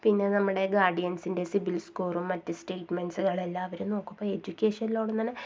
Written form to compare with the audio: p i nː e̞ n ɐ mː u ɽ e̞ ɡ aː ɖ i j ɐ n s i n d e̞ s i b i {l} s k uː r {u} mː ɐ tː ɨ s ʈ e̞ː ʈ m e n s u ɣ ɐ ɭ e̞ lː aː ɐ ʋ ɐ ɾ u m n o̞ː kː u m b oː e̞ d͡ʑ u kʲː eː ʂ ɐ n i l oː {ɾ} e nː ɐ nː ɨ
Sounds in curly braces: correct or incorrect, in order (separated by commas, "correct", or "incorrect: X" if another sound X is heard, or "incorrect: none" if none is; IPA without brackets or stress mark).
correct, correct, incorrect: ɽ